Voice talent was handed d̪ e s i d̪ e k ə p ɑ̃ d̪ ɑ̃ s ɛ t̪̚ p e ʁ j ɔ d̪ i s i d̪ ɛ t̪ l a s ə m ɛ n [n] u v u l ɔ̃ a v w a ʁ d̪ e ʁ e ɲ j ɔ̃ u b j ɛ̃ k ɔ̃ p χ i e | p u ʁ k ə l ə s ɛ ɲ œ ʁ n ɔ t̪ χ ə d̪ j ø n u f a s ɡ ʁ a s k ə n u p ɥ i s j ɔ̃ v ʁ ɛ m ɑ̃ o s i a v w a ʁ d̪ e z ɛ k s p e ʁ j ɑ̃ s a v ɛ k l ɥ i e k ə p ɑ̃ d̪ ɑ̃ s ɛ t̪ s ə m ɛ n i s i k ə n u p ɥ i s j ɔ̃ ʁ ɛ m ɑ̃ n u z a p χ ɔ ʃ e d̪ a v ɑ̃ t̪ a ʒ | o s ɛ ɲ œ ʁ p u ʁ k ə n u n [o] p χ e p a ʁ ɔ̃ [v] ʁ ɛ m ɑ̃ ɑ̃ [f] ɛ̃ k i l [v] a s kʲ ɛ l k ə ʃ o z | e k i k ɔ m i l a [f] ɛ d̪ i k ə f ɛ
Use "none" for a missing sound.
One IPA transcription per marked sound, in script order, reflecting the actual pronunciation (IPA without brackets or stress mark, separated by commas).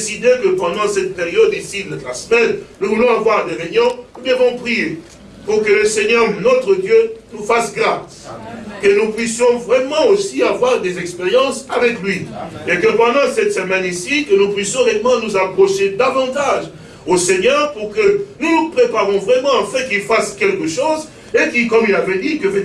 n, u, v, f, f, v